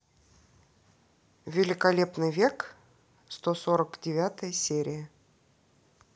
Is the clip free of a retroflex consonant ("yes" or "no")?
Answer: yes